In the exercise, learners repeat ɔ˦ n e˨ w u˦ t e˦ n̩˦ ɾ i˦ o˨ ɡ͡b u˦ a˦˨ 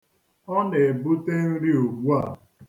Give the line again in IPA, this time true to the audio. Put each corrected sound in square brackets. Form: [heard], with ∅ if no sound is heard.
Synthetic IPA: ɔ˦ n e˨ [b] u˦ t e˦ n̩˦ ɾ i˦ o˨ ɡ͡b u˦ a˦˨